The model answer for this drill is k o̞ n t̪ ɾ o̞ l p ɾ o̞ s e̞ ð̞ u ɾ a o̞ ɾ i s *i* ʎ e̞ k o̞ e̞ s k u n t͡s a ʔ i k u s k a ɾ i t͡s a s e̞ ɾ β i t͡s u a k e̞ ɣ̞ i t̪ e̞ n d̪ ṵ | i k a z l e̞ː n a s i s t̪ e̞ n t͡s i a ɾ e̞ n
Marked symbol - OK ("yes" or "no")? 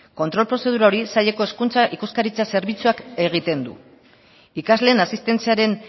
no